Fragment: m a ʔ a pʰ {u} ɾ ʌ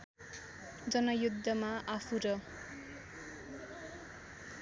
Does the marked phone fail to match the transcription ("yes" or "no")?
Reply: no